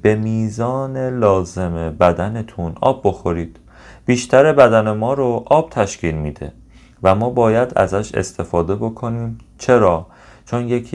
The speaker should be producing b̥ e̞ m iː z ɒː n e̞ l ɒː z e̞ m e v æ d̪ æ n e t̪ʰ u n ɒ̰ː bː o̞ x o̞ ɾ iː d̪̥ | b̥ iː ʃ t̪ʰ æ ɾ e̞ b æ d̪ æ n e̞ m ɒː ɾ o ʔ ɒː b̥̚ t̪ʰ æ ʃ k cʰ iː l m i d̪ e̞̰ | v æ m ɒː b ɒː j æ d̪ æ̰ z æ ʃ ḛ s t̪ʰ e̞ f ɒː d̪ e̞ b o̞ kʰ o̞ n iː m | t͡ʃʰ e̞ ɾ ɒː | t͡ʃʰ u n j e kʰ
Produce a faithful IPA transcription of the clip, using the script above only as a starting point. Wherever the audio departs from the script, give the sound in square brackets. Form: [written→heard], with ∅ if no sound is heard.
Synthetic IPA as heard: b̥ e̞ m iː z ɒː n e̞ l ɒː z e̞ m e [v→b] æ d̪ æ n e t̪ʰ u n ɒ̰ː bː o̞ x o̞ ɾ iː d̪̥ | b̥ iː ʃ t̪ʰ æ ɾ e̞ b æ d̪ æ n e̞ m ɒː ɾ o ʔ ɒː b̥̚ t̪ʰ æ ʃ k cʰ iː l m i d̪ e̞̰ | v æ m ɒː b ɒː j æ d̪ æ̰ z æ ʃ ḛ s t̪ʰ e̞ f ɒː d̪ e̞ b o̞ kʰ o̞ n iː m | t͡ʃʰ e̞ ɾ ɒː | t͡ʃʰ [u→o] n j e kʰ